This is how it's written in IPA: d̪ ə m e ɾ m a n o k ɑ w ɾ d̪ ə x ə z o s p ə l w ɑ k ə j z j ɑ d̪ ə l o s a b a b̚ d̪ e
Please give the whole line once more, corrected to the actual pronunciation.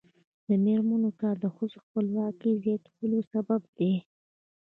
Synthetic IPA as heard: d̪ ə m e ɾ m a n o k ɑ ɾ d̪ ə x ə z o x p ə l w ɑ k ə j z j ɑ t̪ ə l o s a b a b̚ d̪ e